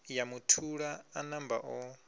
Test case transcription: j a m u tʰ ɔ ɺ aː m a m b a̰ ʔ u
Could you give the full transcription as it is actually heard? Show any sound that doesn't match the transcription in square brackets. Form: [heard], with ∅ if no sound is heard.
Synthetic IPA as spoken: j a m u tʰ [u] ɺ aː [n] a m b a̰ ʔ [ɔ]